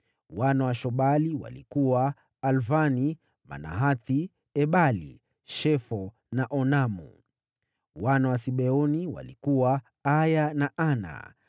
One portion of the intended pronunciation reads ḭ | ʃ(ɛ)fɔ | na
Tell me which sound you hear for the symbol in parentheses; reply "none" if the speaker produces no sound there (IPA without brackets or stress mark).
ɛ